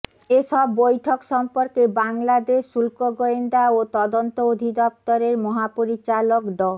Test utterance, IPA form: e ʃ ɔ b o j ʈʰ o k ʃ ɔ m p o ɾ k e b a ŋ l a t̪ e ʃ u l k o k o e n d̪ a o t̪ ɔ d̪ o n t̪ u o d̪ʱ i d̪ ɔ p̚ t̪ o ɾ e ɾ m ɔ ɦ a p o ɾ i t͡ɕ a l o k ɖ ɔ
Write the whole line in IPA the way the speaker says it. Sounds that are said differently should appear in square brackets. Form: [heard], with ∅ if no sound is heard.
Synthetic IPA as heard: e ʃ ɔ [bː] o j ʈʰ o k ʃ ɔ m p o ɾ k e b a ŋ l a [d̪] e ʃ u l k o [ɡ] o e n d̪ a o t̪ ɔ d̪ o n t̪ [o] o d̪ʱ i d̪ ɔ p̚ t̪ o ɾ e ɾ m ɔ ɦ a p o ɾ i t͡ɕ a l o k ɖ ɔ